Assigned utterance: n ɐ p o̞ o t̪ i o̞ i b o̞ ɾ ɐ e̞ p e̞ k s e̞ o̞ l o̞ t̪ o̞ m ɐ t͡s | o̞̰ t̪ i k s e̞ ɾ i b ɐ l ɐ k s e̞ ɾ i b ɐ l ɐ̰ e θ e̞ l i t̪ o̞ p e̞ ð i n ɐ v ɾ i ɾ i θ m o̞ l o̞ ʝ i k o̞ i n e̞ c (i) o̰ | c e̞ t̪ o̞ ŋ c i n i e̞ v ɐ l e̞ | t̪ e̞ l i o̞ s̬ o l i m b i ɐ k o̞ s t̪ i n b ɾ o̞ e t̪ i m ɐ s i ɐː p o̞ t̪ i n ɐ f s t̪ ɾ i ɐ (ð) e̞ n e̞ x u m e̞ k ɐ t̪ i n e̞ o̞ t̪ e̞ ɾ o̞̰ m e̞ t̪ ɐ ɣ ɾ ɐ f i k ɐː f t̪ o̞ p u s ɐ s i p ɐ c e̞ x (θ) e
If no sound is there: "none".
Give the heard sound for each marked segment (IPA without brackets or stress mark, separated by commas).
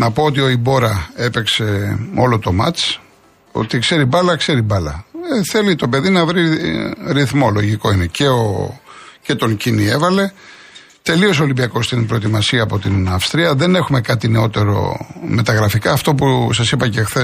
e, ð, θ